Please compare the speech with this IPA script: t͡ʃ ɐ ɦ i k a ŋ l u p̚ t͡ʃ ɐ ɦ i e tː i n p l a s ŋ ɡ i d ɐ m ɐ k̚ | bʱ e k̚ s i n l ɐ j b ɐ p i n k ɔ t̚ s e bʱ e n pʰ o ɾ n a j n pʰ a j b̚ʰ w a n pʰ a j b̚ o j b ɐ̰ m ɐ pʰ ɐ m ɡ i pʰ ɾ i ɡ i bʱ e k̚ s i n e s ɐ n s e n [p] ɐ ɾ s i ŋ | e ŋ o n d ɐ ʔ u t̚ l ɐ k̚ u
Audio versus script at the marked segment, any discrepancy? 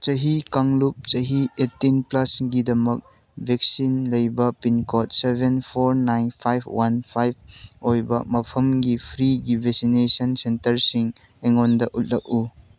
yes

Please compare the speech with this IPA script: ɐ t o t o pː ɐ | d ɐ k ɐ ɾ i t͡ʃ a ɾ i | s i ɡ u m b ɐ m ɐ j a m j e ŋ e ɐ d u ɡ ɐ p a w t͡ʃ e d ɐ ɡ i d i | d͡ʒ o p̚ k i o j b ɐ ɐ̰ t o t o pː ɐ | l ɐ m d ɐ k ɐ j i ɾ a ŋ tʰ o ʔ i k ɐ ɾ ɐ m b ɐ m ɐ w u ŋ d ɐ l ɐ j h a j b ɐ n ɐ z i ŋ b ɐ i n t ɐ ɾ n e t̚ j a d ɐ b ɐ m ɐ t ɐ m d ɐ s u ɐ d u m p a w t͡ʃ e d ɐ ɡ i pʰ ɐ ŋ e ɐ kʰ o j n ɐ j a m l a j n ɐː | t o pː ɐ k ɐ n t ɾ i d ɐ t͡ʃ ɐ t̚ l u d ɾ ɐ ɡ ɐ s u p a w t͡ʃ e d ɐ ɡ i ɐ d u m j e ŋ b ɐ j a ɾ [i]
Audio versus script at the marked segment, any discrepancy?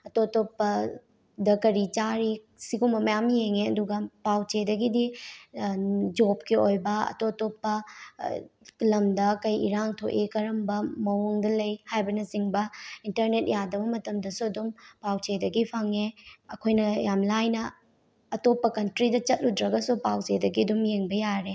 yes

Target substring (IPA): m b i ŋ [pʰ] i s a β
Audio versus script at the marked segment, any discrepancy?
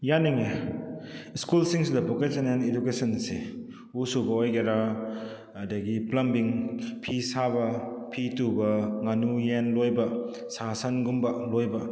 no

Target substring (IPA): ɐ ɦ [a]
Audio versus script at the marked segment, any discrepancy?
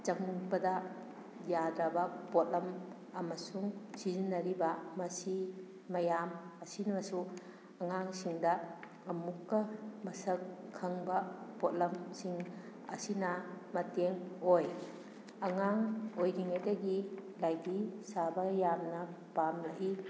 yes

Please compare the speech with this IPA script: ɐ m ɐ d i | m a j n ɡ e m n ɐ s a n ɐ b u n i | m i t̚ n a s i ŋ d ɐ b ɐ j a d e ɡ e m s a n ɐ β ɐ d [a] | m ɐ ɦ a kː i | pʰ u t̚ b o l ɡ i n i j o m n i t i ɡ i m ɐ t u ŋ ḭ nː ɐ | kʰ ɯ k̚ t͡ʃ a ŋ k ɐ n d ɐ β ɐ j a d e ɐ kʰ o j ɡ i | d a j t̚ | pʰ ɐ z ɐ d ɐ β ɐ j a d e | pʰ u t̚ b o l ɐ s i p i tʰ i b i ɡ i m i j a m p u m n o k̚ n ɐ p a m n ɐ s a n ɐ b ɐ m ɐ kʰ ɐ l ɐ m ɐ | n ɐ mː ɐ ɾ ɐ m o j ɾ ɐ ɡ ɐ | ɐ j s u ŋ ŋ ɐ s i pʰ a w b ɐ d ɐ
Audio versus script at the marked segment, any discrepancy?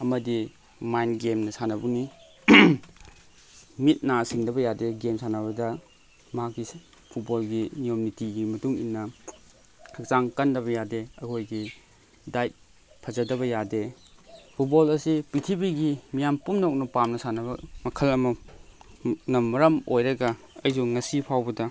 yes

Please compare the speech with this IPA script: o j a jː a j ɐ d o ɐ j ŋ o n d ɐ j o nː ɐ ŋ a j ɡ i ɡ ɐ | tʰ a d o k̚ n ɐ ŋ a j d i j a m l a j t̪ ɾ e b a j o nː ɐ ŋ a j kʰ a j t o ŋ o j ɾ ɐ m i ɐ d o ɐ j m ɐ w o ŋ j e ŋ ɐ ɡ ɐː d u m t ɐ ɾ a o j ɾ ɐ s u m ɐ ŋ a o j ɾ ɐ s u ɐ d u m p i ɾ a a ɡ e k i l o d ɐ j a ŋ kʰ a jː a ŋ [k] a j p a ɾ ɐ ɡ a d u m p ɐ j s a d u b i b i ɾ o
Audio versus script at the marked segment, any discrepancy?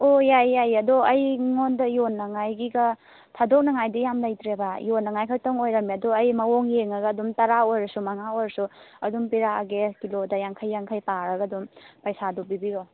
yes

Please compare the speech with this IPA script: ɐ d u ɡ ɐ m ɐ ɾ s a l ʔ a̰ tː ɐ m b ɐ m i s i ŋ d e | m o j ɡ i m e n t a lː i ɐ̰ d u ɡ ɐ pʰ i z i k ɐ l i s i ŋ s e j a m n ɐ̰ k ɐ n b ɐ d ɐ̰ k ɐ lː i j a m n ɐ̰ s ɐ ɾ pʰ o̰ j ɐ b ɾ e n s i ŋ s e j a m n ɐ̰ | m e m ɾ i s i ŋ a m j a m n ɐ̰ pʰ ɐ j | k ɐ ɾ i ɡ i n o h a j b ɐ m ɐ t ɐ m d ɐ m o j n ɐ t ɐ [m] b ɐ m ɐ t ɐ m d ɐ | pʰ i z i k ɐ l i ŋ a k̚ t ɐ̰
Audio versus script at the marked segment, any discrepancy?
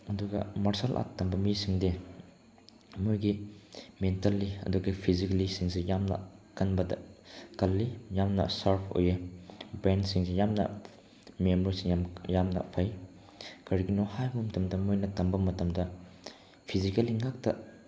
no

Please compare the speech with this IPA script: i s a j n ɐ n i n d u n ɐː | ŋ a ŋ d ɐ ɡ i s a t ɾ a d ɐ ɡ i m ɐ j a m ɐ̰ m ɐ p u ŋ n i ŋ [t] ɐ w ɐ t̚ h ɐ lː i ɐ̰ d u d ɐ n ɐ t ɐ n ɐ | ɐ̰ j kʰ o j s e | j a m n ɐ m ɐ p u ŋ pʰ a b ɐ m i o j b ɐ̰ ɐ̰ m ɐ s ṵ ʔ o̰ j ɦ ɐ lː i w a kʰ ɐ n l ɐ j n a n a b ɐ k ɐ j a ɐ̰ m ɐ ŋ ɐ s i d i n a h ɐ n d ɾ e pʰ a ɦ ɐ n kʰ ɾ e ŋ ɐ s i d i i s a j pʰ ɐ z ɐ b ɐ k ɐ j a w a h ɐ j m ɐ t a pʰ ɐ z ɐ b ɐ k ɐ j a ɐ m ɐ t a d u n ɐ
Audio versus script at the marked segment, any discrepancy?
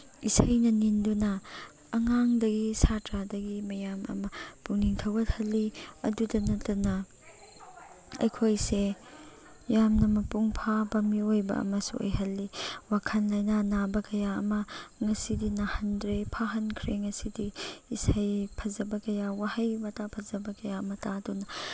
yes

